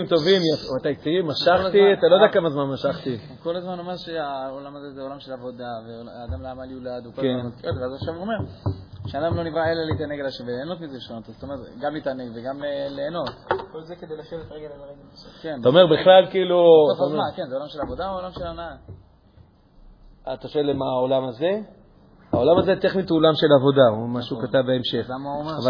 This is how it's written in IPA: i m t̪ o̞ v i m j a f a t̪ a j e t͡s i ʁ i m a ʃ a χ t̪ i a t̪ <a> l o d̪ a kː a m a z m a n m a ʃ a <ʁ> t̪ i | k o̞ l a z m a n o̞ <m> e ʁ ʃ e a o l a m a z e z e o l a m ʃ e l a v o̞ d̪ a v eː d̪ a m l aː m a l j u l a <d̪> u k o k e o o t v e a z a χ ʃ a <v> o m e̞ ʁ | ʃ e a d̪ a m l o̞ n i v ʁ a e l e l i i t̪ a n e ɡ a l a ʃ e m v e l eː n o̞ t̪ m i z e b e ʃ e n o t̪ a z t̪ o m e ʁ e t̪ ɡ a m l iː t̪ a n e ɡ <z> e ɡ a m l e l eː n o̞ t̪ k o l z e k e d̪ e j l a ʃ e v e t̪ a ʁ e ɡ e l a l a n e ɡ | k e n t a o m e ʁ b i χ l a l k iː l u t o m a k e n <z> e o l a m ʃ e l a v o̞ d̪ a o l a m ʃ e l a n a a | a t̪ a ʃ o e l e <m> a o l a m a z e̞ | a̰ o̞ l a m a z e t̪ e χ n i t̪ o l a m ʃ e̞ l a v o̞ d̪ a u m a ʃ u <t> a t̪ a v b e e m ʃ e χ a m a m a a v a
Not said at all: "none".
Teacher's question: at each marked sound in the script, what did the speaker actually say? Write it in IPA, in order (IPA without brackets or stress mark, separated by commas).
a, χ, m, d̪, v, v, z, m, k